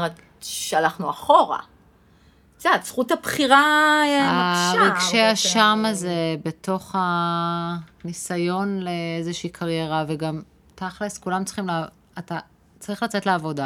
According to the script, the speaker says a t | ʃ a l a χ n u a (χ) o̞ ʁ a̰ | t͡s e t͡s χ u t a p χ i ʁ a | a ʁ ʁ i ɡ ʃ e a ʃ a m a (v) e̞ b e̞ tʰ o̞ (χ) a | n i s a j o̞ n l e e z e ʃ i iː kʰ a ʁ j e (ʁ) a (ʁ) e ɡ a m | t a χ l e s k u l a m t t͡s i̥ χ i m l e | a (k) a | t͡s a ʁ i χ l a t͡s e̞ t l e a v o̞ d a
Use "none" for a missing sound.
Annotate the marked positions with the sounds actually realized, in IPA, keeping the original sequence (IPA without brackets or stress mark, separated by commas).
χ, z, χ, ʁ, v, t